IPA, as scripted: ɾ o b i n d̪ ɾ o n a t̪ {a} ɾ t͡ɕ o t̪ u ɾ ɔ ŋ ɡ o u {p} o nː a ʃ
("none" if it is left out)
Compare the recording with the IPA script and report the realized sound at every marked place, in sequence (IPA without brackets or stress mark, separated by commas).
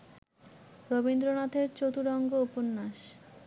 e, p